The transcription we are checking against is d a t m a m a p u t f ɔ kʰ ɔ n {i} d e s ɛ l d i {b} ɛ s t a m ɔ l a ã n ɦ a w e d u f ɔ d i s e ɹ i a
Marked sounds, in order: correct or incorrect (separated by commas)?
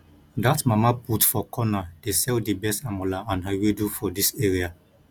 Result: incorrect, correct